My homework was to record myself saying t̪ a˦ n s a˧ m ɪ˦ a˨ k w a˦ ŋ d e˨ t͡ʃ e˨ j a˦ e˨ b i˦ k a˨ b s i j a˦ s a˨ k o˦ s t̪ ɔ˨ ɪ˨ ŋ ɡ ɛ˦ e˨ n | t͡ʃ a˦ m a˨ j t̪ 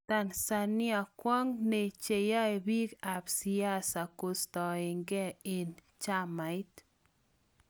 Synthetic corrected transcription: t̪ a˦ n s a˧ n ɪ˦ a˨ k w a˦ ŋ n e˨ t͡ʃ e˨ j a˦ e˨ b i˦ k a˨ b s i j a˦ s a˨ k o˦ s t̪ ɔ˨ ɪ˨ ŋ ɡ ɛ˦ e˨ n | t͡ʃ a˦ m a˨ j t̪